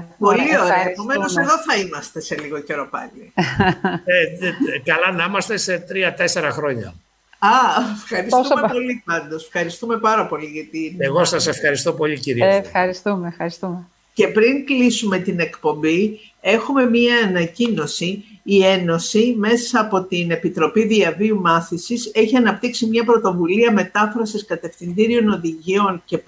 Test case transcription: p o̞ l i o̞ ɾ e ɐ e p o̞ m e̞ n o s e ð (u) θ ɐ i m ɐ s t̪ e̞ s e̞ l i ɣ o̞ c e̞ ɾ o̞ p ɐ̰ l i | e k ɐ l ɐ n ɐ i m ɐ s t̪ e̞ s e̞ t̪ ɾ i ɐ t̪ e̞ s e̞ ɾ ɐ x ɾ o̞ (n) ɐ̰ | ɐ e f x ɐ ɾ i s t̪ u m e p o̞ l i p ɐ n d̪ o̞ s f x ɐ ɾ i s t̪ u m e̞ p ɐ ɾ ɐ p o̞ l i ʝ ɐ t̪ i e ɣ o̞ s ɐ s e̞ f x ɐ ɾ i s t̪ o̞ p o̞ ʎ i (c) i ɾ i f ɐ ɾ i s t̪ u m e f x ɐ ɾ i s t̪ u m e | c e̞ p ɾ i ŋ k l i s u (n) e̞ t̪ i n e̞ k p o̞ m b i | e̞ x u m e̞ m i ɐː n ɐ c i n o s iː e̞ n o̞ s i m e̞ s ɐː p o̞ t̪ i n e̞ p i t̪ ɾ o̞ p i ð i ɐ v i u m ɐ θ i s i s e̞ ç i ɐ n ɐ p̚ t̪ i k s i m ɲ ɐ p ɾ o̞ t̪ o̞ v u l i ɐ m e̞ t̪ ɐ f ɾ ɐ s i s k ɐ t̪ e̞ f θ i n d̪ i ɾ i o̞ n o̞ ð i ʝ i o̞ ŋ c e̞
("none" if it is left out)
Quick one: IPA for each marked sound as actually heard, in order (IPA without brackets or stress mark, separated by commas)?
o, ɲ, c, m